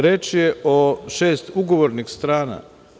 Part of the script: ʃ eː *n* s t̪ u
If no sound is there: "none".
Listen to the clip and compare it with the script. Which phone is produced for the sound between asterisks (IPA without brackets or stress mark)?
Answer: none